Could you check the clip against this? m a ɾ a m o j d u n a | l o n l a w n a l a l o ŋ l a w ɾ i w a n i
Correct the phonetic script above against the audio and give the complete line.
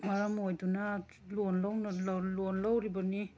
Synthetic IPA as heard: m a ɾ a m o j d u n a | l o n l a w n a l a l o n l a w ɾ i b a n i